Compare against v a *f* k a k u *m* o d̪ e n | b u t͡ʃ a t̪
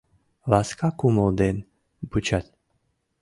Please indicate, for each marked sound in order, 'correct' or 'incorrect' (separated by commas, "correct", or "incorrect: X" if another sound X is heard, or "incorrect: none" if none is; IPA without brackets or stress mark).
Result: incorrect: s, correct